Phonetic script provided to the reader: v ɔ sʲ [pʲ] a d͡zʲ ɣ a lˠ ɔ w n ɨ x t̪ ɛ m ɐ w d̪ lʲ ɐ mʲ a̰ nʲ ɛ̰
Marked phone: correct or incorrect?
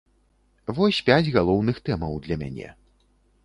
correct